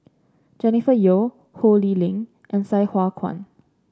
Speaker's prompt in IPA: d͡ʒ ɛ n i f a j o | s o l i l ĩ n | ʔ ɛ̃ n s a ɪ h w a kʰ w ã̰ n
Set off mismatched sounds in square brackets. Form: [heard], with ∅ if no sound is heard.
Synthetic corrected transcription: d͡ʒ ɛ n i f [ə] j o | [h] o l i l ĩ [ŋ] | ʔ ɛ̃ n s a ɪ h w a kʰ w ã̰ n